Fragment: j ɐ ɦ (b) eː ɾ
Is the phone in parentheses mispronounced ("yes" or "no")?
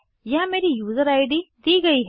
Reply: yes